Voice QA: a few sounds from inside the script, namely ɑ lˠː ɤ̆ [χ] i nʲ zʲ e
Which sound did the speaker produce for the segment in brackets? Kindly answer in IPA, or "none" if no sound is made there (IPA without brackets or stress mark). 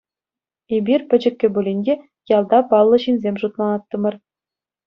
ɕ